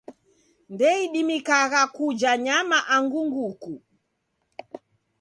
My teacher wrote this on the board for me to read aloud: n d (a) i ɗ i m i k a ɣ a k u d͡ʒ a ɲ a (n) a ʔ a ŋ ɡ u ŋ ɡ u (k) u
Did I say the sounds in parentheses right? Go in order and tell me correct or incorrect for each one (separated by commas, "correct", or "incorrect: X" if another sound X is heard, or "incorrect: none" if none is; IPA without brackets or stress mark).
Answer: incorrect: ɛ, incorrect: m, correct